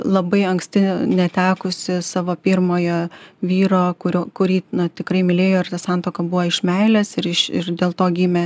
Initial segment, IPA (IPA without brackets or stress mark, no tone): lˠ